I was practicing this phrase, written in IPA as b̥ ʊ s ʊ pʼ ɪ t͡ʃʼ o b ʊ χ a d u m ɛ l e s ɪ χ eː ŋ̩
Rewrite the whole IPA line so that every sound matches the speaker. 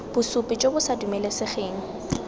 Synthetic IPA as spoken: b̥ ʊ s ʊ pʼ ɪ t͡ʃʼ o b ʊ s a d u m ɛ l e s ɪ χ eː ŋ̩